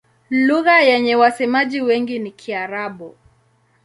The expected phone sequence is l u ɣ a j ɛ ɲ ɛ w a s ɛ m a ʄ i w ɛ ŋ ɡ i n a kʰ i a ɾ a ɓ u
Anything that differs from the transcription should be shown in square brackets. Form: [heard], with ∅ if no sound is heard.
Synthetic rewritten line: l u ɣ a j ɛ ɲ ɛ w a s ɛ m a ʄ i w ɛ ŋ ɡ i n [i] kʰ i a ɾ a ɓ u